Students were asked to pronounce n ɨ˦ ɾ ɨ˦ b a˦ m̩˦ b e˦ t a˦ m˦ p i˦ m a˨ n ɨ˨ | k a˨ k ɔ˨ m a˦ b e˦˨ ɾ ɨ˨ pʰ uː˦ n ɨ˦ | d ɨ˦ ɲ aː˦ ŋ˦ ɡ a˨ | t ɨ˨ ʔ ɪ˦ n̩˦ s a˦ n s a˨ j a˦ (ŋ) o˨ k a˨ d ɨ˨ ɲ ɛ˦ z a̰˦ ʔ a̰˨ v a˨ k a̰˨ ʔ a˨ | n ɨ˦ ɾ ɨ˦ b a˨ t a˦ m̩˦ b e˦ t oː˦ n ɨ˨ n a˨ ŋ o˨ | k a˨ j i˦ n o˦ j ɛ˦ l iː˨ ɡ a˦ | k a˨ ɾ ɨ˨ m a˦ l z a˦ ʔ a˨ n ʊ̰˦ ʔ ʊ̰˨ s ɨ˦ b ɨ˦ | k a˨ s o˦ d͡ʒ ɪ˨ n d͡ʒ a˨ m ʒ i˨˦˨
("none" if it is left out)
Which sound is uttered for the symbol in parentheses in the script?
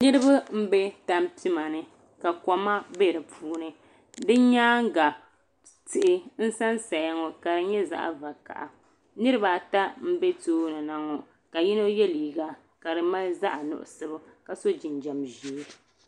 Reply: ŋ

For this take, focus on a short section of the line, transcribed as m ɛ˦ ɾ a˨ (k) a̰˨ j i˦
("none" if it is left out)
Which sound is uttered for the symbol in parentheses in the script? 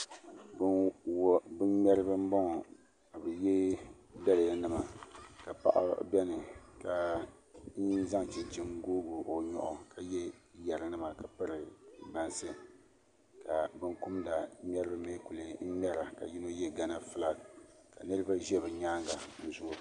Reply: k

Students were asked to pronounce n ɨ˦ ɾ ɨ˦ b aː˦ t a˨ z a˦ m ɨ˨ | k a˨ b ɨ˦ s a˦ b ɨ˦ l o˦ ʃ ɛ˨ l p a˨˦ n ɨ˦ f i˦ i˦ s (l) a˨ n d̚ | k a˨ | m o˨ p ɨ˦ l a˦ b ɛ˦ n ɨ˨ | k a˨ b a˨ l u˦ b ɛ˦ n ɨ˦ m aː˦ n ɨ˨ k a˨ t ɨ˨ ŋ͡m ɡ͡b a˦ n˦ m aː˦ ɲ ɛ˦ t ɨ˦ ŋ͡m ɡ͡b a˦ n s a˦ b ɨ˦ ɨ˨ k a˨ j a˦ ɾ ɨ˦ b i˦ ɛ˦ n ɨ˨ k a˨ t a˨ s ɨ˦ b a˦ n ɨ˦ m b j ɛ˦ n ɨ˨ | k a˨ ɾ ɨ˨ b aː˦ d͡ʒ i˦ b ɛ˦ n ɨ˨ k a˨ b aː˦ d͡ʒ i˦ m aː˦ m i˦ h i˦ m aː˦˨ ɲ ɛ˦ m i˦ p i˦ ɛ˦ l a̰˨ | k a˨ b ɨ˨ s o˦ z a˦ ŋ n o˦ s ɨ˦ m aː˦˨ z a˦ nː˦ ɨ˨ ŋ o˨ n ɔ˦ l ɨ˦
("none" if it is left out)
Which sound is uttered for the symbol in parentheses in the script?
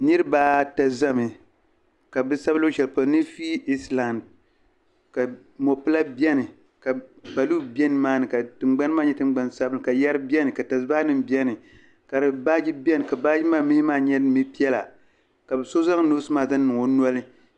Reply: l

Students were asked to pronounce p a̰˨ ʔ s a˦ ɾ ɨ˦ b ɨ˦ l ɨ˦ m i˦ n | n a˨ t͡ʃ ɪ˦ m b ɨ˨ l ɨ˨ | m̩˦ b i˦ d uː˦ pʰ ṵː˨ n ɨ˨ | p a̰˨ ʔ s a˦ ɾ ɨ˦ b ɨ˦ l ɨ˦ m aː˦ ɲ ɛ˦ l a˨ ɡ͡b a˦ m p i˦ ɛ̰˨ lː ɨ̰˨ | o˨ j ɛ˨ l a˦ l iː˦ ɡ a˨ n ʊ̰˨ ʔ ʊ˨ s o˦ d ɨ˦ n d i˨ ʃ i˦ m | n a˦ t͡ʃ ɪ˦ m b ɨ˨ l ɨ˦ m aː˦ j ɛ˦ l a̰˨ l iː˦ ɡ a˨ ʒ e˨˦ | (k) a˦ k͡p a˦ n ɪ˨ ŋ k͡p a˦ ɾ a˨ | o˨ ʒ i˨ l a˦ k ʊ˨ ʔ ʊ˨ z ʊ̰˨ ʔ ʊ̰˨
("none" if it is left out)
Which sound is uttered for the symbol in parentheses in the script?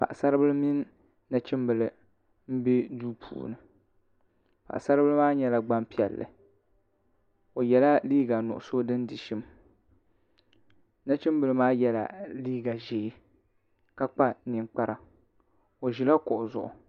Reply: k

